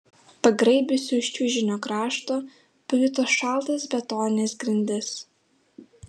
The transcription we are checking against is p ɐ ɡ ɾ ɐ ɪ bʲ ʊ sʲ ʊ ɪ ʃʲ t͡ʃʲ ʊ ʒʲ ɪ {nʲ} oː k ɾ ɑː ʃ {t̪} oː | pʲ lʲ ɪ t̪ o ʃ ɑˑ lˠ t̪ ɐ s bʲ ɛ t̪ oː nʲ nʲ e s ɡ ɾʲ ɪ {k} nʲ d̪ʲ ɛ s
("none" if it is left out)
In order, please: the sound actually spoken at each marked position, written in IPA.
nʲ, t̪, none

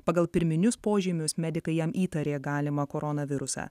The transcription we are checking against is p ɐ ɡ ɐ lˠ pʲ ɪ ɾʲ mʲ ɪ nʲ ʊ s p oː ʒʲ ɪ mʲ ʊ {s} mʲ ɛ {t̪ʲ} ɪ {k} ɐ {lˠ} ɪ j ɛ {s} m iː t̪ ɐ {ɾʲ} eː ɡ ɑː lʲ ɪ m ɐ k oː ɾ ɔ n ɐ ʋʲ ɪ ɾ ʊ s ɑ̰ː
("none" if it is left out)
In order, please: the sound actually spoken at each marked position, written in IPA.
s, d̪ʲ, k, none, none, ɾʲ

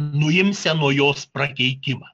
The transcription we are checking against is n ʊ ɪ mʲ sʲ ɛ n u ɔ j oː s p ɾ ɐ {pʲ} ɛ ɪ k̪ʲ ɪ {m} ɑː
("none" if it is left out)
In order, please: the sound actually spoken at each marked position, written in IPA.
kʲ, m

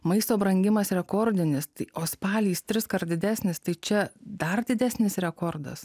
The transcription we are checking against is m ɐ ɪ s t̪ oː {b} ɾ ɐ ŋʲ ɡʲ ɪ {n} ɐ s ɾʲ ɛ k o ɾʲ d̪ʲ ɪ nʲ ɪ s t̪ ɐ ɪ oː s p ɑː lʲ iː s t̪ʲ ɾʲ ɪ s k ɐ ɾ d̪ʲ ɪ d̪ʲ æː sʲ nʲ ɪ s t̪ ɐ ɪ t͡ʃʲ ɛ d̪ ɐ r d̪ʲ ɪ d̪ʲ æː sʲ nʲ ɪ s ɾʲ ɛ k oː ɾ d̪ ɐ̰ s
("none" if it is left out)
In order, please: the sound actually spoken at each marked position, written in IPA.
b, m

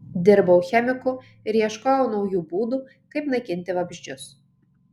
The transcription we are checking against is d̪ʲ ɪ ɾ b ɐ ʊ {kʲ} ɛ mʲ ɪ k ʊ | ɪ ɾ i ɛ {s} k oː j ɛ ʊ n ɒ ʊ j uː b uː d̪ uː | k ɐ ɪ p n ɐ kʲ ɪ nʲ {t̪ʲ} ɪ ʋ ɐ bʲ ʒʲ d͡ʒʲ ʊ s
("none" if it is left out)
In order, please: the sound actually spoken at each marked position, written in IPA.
xʲ, ʃ, t̪ʲ

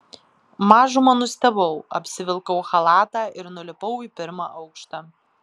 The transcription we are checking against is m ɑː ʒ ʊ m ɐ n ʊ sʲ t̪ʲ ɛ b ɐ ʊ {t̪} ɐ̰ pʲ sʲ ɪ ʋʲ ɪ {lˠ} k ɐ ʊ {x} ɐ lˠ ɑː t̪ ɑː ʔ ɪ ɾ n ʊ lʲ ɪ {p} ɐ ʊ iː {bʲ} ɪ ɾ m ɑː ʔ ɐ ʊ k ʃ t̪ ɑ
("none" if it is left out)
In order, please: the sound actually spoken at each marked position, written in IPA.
none, lˠ, x, p, pʲ

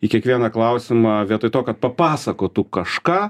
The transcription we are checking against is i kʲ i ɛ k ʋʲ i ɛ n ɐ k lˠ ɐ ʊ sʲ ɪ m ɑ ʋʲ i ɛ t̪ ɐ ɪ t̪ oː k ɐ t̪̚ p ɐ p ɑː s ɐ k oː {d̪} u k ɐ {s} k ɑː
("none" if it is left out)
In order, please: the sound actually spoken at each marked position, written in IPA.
t̪, ʃ

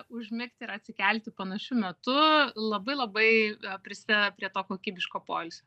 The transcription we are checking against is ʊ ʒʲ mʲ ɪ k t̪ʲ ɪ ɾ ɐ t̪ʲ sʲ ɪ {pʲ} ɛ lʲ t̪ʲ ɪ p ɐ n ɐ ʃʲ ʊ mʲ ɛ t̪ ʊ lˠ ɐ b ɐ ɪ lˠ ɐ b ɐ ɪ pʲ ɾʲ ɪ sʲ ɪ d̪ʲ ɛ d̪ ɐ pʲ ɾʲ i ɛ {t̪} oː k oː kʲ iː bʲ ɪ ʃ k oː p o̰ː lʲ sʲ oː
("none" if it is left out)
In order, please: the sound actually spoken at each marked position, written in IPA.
kʲ, t̪

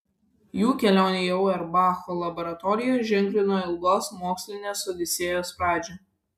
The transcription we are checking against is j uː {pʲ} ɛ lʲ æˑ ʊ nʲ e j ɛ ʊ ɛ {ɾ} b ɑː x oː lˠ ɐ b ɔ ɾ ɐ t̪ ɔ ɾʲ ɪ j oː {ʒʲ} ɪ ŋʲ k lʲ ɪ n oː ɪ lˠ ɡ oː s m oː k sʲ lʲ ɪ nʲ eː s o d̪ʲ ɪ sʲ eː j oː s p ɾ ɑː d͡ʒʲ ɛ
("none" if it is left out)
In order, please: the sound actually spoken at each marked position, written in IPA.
kʲ, ɾ, ʒʲ

